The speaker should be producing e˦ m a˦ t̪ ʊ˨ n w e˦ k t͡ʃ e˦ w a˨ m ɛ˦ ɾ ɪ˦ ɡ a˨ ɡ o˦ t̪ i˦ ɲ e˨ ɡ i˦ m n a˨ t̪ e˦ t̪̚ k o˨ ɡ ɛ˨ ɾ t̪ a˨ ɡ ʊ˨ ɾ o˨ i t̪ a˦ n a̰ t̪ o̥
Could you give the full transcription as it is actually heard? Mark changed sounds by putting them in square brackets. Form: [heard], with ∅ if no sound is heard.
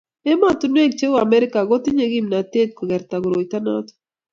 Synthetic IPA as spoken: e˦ m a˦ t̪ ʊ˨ n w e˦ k t͡ʃ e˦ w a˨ m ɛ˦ ɾ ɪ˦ [k] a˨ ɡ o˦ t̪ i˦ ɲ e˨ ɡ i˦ m n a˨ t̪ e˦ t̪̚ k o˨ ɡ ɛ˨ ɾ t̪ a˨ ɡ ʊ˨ ɾ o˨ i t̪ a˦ n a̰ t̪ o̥